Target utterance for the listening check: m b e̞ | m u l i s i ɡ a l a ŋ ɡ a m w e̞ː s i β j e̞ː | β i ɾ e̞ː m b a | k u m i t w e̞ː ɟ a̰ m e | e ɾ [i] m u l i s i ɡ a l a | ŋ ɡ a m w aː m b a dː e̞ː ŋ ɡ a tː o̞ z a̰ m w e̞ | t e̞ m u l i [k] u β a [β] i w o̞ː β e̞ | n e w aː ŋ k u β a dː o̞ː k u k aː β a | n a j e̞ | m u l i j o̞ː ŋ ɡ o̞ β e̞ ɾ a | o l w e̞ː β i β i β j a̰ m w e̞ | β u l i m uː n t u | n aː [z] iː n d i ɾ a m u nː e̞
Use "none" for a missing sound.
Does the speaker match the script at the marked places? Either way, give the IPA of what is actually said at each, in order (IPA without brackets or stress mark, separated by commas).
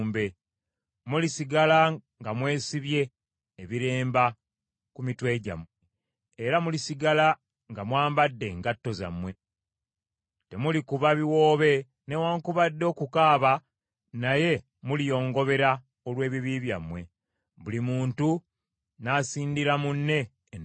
a, k, β, s